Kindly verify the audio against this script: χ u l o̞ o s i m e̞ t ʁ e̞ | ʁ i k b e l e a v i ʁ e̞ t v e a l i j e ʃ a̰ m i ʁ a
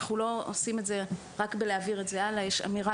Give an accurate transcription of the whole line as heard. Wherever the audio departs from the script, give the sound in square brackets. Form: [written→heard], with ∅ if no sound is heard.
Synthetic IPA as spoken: χ u l o̞ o s i m e̞ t [ʁ→z] e̞ | ʁ [i→a] k b e l e a v i ʁ e̞ t [v→z] e a l [i→a] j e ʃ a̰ m i ʁ a